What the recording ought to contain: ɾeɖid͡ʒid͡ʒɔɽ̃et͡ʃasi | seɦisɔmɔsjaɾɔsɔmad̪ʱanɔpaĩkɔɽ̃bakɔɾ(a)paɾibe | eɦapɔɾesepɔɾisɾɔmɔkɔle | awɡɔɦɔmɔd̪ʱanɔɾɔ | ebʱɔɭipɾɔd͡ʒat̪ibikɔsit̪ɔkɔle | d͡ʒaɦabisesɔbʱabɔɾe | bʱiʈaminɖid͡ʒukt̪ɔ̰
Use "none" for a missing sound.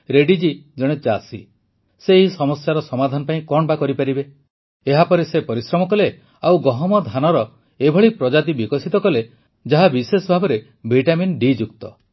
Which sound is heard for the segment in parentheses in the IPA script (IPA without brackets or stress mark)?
i